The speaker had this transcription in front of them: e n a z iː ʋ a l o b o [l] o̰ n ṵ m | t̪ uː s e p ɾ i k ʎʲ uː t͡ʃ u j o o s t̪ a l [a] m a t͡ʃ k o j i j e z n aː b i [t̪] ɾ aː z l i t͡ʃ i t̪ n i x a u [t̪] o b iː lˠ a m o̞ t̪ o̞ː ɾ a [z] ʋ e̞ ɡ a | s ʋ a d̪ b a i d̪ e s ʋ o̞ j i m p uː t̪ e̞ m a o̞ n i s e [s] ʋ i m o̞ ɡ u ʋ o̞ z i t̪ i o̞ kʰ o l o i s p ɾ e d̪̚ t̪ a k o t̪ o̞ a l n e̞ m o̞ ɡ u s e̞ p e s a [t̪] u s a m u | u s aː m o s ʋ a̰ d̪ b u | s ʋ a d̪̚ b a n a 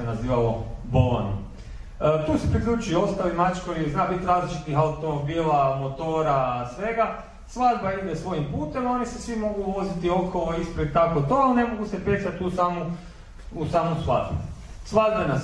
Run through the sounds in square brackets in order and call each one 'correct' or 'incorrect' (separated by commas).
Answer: correct, incorrect, correct, correct, incorrect, correct, correct